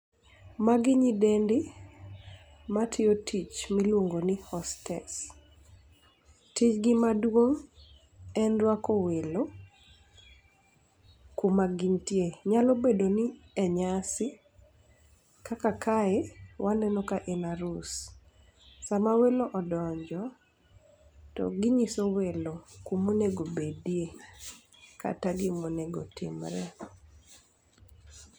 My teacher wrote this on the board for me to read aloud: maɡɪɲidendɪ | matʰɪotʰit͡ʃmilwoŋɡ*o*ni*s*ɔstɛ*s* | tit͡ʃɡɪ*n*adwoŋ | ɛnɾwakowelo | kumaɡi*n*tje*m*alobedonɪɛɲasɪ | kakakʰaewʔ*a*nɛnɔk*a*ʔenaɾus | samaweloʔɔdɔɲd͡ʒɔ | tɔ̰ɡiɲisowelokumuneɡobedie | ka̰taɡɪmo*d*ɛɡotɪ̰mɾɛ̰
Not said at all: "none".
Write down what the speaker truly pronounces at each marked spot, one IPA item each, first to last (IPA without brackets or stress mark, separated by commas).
o, h, s, m, ɲ, ɲ, a, a, n